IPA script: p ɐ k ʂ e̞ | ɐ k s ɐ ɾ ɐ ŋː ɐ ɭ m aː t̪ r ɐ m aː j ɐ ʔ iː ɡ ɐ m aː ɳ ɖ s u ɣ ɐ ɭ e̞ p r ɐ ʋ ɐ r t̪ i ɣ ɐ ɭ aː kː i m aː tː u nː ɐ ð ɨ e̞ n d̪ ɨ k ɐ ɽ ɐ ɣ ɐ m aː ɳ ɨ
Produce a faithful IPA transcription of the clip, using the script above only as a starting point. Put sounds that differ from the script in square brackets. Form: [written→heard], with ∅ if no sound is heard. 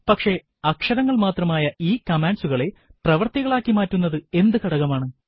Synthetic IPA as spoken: p ɐ k ʂ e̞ | ɐ k [s→ʂ] ɐ ɾ ɐ ŋː ɐ ɭ m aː t̪ r ɐ m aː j ɐ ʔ iː [ɡ→k] ɐ m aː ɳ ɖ s u ɣ ɐ ɭ e̞ p r ɐ ʋ ɐ r t̪ i ɣ ɐ ɭ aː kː i m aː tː u nː ɐ ð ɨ e̞ n d̪ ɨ k ɐ ɽ ɐ ɣ ɐ m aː ɳ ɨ